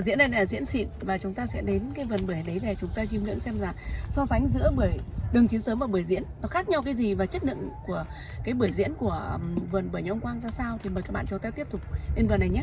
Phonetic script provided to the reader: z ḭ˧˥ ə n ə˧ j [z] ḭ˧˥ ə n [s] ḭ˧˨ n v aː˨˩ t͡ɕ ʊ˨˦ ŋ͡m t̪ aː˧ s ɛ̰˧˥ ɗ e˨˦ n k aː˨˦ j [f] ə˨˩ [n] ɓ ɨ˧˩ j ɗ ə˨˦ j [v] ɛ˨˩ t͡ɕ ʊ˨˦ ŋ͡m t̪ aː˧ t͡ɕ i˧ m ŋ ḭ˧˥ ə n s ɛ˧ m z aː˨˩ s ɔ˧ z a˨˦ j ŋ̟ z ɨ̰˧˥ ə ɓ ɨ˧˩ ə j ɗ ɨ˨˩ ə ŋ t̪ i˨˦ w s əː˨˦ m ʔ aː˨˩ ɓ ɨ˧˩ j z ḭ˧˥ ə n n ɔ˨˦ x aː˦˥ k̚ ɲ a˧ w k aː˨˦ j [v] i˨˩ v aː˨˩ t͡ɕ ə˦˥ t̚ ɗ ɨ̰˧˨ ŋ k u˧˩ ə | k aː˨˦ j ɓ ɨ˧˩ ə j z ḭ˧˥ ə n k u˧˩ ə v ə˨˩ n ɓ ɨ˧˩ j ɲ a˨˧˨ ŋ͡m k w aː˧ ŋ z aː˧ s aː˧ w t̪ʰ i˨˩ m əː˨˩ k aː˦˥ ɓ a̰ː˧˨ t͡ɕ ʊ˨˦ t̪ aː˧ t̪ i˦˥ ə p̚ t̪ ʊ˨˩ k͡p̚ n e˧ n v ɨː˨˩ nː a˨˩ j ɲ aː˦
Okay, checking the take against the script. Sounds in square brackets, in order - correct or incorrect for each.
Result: correct, correct, incorrect, correct, correct, incorrect

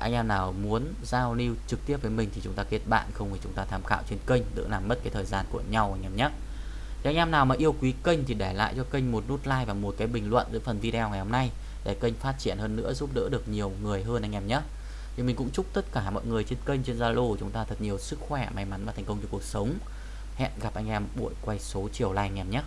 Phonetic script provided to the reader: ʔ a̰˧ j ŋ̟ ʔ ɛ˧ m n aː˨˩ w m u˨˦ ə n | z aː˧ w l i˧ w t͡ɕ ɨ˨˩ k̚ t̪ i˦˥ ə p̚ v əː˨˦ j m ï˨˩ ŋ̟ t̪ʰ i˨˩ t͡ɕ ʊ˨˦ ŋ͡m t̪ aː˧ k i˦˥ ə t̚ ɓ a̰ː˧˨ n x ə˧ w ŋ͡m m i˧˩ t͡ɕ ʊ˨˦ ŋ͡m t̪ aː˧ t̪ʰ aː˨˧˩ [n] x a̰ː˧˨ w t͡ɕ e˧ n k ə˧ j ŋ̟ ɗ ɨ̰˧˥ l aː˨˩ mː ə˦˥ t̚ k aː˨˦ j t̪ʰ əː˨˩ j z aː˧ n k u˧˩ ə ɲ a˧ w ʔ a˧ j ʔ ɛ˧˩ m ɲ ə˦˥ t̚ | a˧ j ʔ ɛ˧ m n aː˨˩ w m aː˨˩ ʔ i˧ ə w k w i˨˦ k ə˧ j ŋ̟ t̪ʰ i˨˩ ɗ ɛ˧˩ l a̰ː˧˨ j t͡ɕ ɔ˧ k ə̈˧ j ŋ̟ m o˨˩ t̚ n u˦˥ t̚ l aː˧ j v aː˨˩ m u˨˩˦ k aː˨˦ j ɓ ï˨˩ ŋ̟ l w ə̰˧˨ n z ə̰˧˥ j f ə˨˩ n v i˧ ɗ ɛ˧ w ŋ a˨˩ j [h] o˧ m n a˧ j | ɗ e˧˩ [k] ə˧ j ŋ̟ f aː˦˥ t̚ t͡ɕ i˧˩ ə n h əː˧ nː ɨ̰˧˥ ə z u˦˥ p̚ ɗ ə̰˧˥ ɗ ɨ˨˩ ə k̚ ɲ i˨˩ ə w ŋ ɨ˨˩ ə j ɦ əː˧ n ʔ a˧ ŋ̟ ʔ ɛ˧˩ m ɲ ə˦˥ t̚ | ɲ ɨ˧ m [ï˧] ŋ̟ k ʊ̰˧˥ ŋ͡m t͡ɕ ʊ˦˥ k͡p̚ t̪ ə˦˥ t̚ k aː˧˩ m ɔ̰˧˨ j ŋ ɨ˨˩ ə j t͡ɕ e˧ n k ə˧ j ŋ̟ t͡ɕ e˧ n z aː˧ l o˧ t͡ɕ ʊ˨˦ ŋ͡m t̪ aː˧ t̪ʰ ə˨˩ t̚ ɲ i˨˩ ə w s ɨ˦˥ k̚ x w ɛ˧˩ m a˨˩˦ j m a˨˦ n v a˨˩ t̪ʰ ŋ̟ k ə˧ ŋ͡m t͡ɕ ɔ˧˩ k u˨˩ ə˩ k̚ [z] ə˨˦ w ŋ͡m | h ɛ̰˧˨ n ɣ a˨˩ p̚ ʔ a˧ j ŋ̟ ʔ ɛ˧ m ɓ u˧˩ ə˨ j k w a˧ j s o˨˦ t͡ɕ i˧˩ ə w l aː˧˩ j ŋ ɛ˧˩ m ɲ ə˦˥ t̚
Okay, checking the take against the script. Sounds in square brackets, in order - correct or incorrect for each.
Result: incorrect, correct, correct, incorrect, incorrect

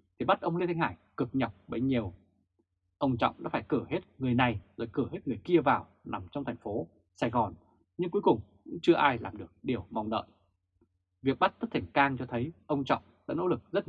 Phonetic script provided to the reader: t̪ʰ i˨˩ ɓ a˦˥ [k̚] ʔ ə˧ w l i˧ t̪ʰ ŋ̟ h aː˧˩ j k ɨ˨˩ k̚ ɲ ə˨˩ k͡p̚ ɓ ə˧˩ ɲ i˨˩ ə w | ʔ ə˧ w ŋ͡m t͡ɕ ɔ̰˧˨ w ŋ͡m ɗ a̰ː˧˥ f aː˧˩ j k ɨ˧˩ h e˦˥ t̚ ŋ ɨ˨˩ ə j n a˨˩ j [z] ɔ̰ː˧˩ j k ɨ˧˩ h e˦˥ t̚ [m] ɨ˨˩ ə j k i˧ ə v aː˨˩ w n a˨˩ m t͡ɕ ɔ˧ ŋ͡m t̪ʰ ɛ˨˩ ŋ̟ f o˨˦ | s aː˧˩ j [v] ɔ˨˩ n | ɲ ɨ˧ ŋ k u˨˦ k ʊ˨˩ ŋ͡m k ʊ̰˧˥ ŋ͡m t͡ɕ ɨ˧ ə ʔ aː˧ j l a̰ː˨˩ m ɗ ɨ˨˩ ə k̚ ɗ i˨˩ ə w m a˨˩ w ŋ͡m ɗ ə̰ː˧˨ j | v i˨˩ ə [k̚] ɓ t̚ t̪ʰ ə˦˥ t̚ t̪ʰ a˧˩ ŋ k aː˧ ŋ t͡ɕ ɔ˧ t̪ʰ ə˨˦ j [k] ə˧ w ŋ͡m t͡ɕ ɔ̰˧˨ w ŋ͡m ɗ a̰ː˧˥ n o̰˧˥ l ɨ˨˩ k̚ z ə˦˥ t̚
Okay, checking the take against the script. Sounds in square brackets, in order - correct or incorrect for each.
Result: incorrect, correct, incorrect, incorrect, correct, incorrect

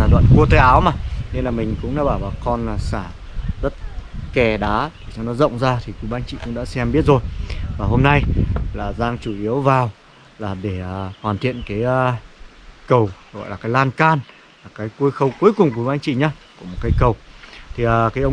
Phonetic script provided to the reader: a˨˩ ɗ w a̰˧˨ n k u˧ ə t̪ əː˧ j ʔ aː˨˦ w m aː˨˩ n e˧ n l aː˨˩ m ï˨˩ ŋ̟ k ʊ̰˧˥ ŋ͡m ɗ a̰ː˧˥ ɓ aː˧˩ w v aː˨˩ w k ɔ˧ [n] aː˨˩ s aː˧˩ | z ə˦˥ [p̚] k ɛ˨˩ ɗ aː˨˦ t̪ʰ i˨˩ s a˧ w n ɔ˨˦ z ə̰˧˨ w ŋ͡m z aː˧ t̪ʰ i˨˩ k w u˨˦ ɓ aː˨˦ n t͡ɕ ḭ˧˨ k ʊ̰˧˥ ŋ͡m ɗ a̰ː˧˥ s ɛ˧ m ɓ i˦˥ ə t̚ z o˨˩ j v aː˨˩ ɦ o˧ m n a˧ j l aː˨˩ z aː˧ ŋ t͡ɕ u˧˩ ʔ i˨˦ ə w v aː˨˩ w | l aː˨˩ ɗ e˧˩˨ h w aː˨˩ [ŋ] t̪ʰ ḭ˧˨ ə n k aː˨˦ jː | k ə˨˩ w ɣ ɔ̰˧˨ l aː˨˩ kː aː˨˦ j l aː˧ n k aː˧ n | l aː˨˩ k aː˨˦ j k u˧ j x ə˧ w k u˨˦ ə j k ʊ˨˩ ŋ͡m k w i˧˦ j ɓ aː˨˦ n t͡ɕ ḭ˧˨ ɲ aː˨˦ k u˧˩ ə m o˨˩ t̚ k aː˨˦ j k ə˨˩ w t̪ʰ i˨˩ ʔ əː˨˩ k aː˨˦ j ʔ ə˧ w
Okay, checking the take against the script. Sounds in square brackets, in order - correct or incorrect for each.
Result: correct, incorrect, incorrect

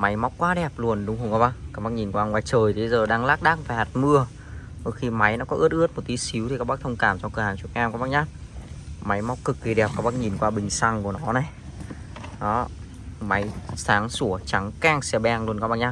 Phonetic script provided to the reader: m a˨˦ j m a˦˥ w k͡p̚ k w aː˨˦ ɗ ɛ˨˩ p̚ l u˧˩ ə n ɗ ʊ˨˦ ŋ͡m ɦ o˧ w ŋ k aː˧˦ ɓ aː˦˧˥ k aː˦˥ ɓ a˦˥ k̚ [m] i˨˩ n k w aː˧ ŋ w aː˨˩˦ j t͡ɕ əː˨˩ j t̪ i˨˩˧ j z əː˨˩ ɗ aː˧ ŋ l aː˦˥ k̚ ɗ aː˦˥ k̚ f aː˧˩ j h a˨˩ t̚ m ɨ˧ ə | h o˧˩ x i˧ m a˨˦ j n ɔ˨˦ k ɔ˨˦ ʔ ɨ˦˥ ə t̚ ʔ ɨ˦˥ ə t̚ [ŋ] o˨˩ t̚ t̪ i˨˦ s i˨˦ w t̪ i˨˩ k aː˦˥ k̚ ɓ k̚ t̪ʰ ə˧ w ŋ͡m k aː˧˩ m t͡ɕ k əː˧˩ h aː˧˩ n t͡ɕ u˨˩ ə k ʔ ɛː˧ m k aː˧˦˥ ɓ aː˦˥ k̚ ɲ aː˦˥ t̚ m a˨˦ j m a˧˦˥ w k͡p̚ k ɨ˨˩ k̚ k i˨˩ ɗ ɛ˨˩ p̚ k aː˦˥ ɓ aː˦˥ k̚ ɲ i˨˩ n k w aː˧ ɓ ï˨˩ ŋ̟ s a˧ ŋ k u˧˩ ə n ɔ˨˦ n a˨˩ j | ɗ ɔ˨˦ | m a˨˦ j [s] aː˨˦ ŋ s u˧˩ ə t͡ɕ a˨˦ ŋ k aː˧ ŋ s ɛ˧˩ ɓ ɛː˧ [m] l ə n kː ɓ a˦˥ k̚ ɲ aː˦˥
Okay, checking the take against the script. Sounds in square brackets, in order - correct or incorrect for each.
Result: incorrect, incorrect, correct, incorrect

